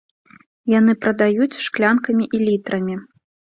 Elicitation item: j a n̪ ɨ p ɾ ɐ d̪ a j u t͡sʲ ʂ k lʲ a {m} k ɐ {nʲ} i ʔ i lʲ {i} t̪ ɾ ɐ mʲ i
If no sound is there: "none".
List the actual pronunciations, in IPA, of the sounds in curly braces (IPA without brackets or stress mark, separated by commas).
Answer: n, mʲ, i